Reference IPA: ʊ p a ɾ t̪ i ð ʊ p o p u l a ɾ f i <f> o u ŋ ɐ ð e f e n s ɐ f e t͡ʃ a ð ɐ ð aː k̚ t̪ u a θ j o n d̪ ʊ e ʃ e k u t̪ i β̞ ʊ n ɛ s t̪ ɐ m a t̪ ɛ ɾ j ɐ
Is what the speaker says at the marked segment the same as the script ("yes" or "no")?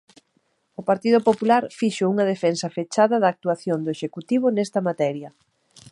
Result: no